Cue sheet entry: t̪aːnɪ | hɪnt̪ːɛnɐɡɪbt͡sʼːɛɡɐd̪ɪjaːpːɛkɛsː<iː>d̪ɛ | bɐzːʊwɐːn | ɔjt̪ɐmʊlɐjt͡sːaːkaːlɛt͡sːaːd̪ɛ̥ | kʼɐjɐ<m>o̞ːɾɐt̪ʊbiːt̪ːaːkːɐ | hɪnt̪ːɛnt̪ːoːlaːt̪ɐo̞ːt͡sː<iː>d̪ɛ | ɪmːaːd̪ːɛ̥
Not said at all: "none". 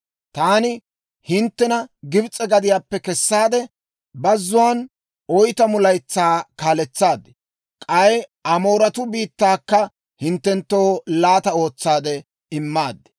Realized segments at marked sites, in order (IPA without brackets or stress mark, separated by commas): aː, m, aː